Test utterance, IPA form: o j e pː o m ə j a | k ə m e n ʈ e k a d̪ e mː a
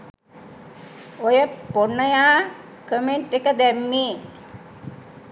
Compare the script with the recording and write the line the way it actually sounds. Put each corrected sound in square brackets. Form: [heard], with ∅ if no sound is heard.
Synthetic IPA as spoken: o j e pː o [n] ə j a | k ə m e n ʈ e k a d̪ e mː [i]